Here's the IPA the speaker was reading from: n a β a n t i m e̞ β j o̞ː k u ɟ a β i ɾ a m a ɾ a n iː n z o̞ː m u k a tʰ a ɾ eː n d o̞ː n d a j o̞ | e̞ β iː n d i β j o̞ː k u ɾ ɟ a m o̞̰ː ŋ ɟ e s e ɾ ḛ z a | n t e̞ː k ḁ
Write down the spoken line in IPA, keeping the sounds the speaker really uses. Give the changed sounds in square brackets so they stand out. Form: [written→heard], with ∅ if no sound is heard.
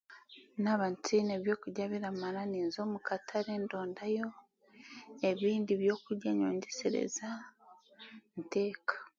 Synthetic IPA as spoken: n a β a n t i [m→n] e̞ β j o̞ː k u ɟ a β i ɾ a m a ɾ a n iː n z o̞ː m u k a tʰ a ɾ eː n d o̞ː n d a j o̞ | e̞ β iː n d i β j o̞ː k u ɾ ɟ a [m→ɲ] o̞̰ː [ŋ→ɲ] ɟ e s e ɾ ḛ z a | n t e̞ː k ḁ